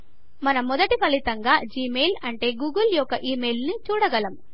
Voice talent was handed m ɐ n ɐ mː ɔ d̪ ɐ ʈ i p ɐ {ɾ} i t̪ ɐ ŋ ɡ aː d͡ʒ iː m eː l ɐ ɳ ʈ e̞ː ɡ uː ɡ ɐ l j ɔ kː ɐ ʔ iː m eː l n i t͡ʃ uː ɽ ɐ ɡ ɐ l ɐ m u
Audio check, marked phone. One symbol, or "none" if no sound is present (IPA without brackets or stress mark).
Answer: l